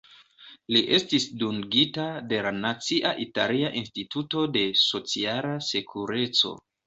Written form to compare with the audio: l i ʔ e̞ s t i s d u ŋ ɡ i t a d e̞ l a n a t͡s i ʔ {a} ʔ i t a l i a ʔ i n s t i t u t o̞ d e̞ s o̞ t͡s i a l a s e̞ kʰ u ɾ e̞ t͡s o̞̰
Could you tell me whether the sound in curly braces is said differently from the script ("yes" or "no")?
no